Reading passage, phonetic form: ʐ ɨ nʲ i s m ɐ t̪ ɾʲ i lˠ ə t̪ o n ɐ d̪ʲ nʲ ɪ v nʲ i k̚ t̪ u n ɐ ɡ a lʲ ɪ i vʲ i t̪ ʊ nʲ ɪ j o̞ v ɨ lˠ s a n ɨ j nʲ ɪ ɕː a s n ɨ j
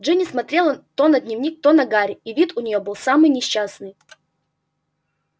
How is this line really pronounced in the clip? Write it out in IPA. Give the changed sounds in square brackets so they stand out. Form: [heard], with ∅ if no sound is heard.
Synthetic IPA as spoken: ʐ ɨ nʲ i s m ɐ t̪ ɾʲ [e] lˠ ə t̪ o n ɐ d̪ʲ nʲ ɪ v nʲ i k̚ t̪ [o] n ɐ ɡ a [ɾʲ] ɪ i vʲ i t̪ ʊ nʲ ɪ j o̞ [b] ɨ lˠ s a [m] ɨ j nʲ ɪ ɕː a s n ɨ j